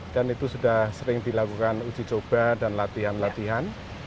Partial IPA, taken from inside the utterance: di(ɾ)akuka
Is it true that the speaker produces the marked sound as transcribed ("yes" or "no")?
no